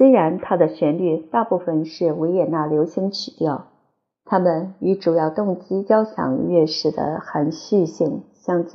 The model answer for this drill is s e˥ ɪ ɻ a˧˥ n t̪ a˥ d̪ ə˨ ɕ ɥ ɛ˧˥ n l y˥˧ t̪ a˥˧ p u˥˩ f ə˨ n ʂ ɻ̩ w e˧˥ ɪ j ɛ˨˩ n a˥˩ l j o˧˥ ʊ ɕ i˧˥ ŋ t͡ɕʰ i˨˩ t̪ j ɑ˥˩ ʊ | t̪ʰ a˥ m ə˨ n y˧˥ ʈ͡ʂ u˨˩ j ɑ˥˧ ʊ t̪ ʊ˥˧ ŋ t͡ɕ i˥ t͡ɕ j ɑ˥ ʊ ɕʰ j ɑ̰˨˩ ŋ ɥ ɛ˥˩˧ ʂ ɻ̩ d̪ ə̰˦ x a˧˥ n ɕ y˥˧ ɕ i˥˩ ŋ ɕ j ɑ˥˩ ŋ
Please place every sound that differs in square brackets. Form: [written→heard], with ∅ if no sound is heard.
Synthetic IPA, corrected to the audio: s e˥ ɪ ɻ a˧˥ n [t̪→t̪ʰ] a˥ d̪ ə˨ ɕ ɥ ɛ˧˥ n l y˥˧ t̪ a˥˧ p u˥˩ f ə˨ n ʂ ɻ̩ w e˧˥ ɪ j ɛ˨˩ n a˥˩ l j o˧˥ ʊ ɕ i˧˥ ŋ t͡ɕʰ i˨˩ t̪ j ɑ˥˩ ʊ | t̪ʰ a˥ m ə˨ n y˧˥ ʈ͡ʂ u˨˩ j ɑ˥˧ ʊ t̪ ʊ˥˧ ŋ t͡ɕ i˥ t͡ɕ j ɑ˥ ʊ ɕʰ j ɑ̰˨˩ ŋ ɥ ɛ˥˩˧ ʂ ɻ̩ d̪ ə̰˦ x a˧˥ n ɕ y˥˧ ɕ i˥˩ ŋ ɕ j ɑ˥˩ ŋ